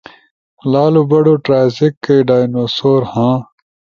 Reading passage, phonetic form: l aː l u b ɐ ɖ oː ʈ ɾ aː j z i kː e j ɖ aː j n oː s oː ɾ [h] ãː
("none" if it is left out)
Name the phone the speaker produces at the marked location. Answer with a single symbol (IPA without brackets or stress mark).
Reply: h